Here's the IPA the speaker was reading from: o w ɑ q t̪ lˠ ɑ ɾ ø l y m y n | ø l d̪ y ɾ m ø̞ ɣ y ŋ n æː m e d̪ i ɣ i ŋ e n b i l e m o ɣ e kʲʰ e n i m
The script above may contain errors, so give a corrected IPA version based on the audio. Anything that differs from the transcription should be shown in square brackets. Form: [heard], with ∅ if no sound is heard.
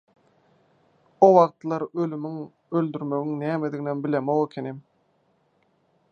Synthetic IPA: o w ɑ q t̪ lˠ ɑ ɾ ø l y m y [ŋ] | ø l d̪ y ɾ m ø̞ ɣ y ŋ n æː m e d̪ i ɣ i [n] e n b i l e m o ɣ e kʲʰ e n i m